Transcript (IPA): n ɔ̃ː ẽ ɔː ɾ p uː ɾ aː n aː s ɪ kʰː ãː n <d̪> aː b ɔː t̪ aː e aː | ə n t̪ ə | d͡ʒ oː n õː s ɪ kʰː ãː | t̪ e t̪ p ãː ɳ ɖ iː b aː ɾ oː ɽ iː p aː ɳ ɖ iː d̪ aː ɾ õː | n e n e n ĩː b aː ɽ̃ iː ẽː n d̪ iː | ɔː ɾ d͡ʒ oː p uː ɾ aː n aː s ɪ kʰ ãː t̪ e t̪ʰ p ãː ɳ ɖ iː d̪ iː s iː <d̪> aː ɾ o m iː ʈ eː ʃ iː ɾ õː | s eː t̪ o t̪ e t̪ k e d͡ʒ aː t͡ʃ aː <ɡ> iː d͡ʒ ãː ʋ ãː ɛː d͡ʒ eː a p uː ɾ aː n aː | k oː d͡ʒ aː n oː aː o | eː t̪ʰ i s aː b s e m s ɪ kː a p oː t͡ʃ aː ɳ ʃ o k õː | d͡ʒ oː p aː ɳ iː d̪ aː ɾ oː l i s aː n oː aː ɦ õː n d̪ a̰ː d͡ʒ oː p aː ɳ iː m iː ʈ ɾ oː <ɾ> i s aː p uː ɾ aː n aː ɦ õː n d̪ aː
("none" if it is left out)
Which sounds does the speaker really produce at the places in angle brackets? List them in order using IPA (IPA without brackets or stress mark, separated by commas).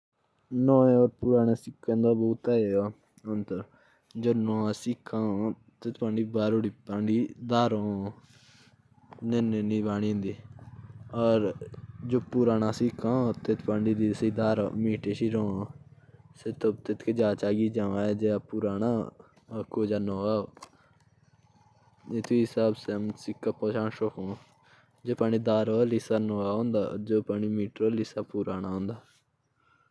d̪, d̪, ɡ, l